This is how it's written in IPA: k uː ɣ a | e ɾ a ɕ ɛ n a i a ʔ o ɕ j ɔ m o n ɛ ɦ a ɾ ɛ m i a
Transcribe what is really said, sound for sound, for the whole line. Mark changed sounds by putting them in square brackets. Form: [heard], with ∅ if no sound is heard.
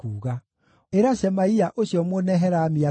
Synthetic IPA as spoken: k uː ɣ a | e ɾ a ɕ ɛ [m] a i a ʔ o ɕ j ɔ m o n ɛ ɦ [ɛ] ɾ [a] m i a